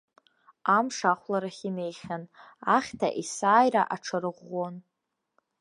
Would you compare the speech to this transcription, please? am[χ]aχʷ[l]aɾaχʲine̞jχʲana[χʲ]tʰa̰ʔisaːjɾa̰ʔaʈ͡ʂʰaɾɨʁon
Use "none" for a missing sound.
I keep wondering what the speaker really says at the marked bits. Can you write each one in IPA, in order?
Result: ʂ, l, χʲ

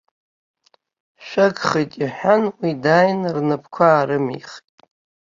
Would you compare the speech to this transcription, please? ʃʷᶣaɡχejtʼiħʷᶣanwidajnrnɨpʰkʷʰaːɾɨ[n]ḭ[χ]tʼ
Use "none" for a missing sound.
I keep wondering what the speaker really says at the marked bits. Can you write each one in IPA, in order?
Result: m, χ

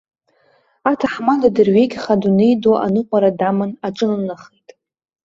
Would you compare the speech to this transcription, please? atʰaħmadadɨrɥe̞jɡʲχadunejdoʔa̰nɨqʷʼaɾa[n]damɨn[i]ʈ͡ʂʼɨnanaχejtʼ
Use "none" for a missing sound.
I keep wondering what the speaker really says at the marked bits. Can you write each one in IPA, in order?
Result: none, a

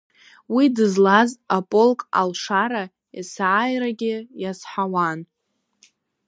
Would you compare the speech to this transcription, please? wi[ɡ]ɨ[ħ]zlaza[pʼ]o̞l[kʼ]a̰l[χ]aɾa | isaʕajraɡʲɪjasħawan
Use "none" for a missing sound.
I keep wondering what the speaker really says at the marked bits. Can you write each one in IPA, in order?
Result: d, none, pʼ, kʼ, ʂ

